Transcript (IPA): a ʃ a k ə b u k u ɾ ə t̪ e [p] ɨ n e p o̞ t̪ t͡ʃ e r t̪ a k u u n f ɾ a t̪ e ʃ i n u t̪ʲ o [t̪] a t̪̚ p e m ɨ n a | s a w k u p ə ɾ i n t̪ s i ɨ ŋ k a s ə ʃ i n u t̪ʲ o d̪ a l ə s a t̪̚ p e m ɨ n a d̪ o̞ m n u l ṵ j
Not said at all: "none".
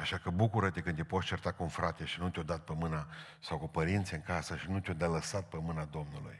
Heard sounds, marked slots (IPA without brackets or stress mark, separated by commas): k, d̪